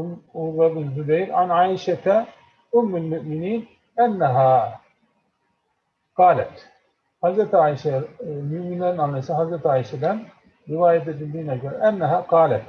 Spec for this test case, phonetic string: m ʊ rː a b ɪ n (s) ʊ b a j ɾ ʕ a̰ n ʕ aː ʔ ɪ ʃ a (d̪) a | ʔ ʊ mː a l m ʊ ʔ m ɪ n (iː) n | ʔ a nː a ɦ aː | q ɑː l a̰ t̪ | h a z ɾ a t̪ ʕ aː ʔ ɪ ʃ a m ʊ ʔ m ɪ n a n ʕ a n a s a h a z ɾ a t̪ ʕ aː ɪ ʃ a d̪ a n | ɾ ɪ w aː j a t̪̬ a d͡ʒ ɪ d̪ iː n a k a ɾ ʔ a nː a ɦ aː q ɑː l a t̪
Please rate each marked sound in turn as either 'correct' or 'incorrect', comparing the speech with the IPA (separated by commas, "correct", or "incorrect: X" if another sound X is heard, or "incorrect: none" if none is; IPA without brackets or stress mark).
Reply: incorrect: z, incorrect: t̪, correct